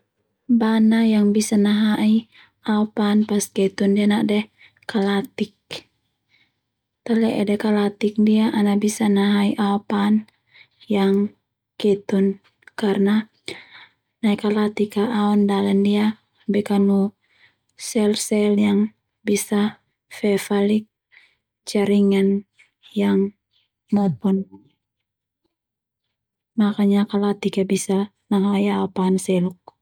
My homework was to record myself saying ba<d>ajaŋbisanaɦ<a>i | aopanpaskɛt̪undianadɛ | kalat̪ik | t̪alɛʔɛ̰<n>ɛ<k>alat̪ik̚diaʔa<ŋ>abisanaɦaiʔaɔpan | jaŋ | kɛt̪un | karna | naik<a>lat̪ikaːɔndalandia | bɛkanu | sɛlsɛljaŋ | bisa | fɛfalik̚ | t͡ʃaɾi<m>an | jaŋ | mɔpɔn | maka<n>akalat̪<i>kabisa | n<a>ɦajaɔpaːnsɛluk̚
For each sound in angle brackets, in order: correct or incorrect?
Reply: incorrect: n, correct, incorrect: d, correct, incorrect: n, correct, incorrect: ŋ, incorrect: ɲ, correct, correct

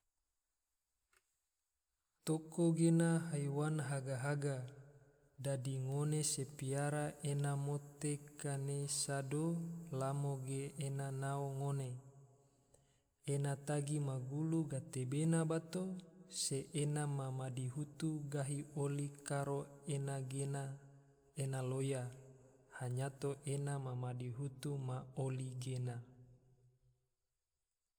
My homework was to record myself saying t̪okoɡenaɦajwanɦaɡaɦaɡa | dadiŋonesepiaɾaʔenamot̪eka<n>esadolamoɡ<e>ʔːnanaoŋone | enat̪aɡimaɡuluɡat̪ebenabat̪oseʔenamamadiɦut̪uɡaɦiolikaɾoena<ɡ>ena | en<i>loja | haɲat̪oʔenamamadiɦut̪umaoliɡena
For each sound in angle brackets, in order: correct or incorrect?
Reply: correct, correct, correct, incorrect: a

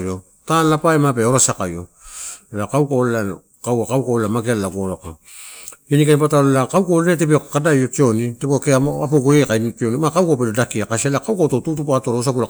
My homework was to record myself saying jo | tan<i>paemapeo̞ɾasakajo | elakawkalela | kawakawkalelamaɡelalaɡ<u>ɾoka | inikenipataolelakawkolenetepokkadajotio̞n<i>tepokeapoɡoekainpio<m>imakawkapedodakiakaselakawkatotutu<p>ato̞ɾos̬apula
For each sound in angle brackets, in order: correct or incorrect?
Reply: incorrect: a, incorrect: o, correct, incorrect: n, correct

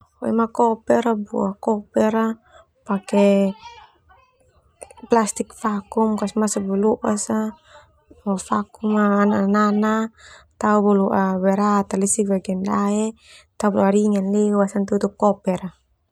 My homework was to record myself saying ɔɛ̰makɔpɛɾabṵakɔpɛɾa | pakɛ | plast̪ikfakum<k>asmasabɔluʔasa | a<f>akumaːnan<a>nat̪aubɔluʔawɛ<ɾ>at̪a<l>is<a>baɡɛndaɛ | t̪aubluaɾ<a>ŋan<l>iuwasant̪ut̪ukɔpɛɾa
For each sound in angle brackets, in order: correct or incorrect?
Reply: correct, correct, correct, correct, correct, incorrect: i, incorrect: i, correct

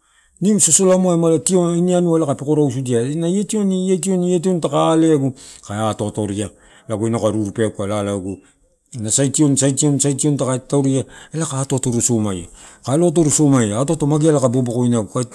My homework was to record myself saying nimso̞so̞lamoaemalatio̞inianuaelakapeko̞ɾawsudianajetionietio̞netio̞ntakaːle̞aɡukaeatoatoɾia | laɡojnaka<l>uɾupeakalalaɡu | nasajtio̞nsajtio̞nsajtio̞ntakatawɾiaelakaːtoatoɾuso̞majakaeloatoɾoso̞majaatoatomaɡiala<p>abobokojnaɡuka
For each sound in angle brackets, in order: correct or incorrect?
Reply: incorrect: ɾ, incorrect: k

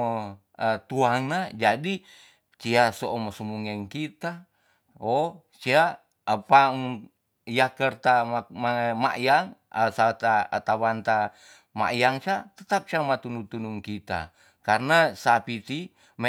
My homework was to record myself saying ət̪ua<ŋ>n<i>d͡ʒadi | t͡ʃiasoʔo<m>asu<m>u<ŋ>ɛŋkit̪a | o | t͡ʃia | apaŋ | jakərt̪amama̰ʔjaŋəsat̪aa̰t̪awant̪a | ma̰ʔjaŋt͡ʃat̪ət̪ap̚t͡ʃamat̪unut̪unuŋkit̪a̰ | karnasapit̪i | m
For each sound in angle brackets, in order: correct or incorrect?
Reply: correct, incorrect: a, correct, correct, correct

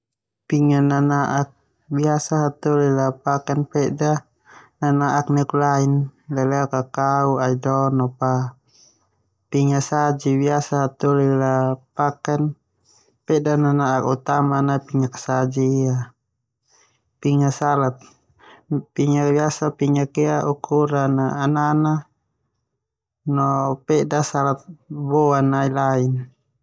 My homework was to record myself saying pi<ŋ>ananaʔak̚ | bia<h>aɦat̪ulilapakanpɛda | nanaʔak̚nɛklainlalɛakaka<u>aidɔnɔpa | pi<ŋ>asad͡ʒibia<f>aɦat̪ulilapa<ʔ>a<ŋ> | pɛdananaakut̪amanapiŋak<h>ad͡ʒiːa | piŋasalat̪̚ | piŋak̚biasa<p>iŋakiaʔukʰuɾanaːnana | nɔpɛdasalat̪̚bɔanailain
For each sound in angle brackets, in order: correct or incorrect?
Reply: correct, incorrect: s, correct, correct, incorrect: s, incorrect: k, incorrect: n, incorrect: s, correct

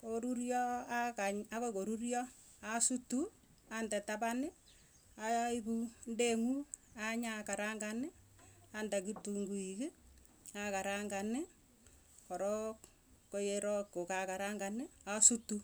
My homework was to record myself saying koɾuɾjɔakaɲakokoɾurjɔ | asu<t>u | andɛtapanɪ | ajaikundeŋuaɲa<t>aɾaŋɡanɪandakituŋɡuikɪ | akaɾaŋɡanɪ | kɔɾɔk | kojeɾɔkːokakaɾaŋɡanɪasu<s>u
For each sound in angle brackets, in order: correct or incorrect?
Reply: correct, incorrect: k, incorrect: t

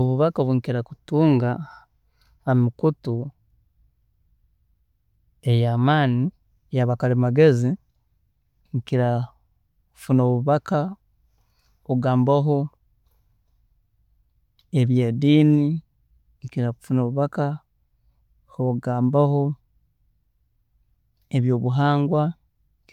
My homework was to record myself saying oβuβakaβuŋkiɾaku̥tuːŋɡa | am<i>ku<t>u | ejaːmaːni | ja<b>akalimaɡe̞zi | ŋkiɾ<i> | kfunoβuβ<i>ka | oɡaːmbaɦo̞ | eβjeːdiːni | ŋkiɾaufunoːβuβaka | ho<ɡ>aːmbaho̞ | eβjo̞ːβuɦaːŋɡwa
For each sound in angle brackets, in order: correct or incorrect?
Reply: correct, correct, incorrect: β, incorrect: a, incorrect: a, correct

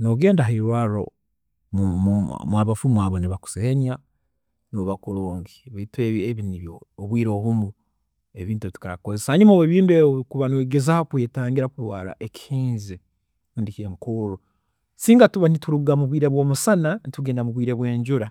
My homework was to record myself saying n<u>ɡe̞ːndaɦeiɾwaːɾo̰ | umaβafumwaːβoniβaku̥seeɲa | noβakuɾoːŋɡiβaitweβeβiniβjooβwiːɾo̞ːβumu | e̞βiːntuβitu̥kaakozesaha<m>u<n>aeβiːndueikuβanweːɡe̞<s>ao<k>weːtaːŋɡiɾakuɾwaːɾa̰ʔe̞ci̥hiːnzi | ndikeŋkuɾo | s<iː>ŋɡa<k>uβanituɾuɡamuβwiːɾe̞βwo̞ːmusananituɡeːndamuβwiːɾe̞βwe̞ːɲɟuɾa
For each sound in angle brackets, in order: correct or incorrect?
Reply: incorrect: o, incorrect: ɲ, incorrect: m, incorrect: z, correct, correct, incorrect: t

